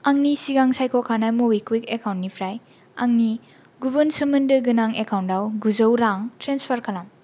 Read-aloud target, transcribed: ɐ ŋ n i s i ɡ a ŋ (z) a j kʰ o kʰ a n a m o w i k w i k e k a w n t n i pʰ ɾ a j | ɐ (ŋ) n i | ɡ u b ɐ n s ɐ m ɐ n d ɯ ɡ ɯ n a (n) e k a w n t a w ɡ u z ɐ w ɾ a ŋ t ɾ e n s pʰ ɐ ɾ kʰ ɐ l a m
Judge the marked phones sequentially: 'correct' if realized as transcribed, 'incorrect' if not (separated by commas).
incorrect, correct, incorrect